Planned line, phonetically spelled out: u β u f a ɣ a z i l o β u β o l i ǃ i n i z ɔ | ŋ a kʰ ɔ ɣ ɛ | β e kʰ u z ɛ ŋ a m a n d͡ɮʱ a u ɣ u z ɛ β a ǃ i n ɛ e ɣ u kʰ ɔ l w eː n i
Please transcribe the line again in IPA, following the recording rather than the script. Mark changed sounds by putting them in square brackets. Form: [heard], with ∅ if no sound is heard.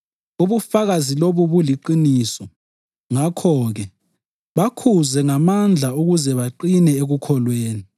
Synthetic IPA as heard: u β u f a ɣ a z i l o β u β [u] l i ǃ i n i [s] ɔ | ŋ a kʰ ɔ ɣ ɛ | β [a] kʰ u z ɛ ŋ a m a n d͡ɮʱ a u ɣ u z ɛ β a ǃ i n ɛ e ɣ u kʰ ɔ l w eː n i